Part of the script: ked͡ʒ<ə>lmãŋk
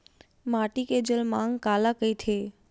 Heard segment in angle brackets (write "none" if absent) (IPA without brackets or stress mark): ə